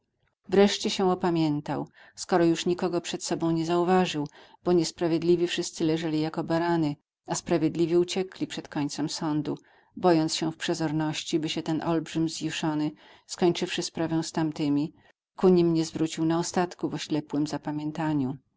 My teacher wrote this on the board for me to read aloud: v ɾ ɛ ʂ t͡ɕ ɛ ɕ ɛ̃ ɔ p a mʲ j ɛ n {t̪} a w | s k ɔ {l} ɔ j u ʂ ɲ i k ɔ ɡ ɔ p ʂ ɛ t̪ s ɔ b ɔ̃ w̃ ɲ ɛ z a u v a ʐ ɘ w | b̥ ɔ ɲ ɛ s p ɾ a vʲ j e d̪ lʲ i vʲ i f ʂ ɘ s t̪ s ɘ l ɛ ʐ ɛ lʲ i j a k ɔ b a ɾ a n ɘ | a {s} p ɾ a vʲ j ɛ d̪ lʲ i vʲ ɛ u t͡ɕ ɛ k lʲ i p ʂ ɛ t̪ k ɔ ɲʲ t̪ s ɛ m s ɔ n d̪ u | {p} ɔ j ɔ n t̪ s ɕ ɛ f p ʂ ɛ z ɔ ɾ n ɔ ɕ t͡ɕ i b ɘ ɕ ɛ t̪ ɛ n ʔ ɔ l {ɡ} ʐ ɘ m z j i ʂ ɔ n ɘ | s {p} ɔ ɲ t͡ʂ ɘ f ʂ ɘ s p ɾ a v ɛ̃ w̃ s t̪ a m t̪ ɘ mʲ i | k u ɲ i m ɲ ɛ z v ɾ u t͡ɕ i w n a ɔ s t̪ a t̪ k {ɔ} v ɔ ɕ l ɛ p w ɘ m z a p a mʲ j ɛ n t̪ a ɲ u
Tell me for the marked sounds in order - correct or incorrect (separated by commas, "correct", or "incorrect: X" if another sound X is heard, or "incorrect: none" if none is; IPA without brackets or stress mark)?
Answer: correct, incorrect: ɾ, correct, incorrect: b, incorrect: b, incorrect: k, incorrect: u